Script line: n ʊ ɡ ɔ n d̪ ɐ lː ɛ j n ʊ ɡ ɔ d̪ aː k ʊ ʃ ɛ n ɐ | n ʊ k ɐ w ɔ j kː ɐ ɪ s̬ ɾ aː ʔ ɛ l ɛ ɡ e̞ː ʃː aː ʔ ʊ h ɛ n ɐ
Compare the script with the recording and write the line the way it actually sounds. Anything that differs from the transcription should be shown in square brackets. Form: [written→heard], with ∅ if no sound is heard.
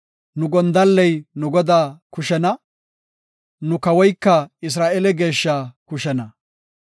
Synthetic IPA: n ʊ ɡ ɔ n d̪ ɐ lː ɛ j n ʊ ɡ ɔ d̪ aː k ʊ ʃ ɛ n ɐ | n ʊ k ɐ w ɔ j kː ɐ ɪ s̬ ɾ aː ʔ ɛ l ɛ ɡ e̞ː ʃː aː [ʔ→k] ʊ [h→ʃ] ɛ n ɐ